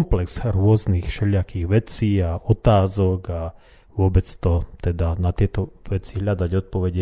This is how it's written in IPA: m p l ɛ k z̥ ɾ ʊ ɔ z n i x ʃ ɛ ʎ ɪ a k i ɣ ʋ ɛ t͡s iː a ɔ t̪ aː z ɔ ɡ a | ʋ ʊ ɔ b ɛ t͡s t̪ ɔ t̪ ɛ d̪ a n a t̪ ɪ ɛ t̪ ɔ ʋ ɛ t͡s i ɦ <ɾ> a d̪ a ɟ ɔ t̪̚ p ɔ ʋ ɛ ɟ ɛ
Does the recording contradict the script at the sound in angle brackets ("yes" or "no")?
yes